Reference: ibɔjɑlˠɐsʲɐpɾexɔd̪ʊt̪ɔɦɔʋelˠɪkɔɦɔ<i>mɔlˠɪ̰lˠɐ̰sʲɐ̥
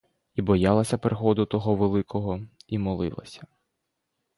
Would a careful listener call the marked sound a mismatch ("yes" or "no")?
no